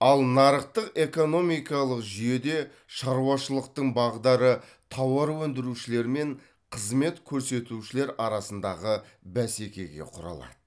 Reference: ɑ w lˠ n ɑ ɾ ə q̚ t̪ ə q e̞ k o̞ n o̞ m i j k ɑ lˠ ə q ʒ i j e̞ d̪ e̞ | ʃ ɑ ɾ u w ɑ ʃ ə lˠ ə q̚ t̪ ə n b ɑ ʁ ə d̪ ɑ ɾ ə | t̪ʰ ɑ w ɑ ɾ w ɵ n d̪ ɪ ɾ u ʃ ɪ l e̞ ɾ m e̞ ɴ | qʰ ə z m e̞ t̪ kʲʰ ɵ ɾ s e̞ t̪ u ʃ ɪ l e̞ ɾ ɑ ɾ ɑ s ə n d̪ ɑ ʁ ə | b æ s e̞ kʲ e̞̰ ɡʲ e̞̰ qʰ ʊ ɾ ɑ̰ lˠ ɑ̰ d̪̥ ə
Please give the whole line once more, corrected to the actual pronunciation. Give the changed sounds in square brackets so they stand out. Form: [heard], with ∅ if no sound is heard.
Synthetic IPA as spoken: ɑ [∅] lˠ n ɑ ɾ ə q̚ t̪ ə q e̞ k o̞ n o̞ m i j k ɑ lˠ ə q ʒ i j e̞ d̪ e̞ | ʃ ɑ ɾ u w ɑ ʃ ə lˠ ə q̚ t̪ ə [ɴ] b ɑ ʁ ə d̪ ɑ ɾ ə | t̪ʰ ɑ w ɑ ɾ w ɵ n d̪ ɪ ɾ u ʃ ɪ l e̞ ɾ m e̞ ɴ | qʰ ə z m e̞ t̪ kʲʰ ɵ ɾ s e̞ t̪ u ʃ ɪ l e̞ ɾ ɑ ɾ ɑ s ə n d̪ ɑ ʁ ə | b æ s e̞ kʲ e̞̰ ɡʲ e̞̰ qʰ ʊ ɾ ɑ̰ lˠ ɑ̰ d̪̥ ə